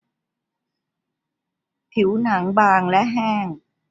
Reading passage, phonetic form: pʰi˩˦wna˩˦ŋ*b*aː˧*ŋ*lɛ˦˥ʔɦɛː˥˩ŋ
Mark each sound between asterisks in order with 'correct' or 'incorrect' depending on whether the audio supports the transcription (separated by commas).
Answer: correct, correct